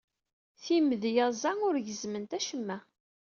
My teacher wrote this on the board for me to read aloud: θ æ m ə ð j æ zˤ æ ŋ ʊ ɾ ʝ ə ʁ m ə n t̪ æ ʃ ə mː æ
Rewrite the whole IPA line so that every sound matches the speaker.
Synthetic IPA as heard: θ i m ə ð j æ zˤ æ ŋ ʊ ɾ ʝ ə z m ə n t̪ æ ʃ ə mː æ